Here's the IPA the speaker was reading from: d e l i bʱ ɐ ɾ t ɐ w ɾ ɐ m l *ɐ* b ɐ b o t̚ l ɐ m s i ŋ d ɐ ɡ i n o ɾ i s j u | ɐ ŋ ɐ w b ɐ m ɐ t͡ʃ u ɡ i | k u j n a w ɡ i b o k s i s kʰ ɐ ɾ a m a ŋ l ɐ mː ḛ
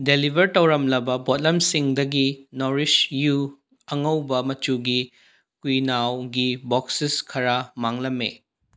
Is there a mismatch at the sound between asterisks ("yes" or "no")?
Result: no